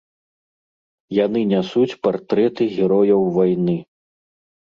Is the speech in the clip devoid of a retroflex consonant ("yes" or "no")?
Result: yes